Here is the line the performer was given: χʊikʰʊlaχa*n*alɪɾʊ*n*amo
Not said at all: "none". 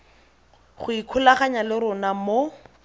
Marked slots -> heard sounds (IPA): ɲ, n

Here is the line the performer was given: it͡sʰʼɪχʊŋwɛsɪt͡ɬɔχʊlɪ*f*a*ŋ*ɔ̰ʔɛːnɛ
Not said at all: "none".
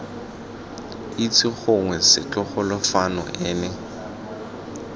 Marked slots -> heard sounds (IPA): f, n

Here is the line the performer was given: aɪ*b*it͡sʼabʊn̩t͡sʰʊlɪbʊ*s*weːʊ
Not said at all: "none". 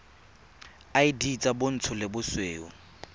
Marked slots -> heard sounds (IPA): d, s

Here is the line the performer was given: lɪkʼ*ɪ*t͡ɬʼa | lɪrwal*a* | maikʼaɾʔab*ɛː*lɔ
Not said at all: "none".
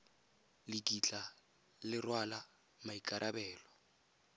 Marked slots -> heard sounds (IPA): i, a, ɛː

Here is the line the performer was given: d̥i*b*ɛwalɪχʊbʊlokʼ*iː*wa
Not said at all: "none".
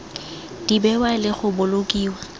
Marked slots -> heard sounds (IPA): b, iː

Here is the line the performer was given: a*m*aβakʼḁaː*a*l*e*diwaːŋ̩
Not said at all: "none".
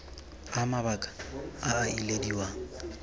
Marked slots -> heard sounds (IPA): m, i, e

